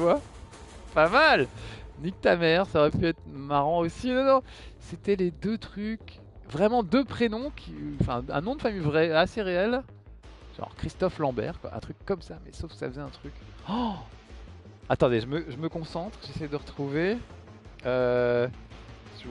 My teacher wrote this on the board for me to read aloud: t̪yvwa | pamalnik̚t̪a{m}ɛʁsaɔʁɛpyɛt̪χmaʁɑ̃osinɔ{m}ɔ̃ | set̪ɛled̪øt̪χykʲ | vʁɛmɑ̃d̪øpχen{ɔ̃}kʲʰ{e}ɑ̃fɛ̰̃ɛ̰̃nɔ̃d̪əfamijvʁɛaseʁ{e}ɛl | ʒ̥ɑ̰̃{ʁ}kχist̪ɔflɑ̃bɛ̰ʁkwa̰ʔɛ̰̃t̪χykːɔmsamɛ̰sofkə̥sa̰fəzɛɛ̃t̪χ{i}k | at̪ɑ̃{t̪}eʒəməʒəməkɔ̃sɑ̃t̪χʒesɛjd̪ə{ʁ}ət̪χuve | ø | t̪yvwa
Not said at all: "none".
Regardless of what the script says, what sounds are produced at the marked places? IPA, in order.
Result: m, n, ɔ̃, i, e, ʁ, y, d̪, ʁ

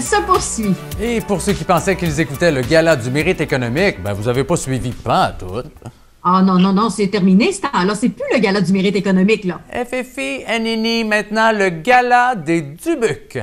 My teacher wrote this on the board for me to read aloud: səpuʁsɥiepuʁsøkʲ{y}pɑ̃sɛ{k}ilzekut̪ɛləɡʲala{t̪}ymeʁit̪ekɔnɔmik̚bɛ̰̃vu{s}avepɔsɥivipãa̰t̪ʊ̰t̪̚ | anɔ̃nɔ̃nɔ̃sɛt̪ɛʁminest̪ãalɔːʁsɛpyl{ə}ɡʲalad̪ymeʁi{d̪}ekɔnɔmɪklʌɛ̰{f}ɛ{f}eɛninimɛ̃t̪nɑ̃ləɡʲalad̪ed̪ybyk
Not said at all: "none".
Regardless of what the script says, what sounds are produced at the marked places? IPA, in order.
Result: i, k, d̪, z, ə, t̪, f, f

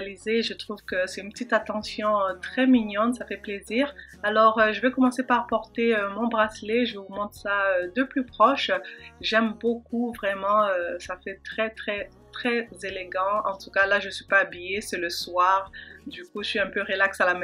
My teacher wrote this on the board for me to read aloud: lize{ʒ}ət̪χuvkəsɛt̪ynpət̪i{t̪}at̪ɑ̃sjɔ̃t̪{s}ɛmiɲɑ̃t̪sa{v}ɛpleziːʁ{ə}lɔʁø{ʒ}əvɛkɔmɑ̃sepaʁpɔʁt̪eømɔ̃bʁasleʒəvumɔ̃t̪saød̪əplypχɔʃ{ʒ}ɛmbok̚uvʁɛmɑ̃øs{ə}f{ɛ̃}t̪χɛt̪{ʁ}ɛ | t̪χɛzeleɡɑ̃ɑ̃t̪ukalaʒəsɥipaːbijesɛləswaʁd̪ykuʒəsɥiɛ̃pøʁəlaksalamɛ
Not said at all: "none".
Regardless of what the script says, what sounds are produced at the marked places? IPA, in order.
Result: ʒ, t̪, χ, f, a, ʒ, ʒ, a, ɛ, χ

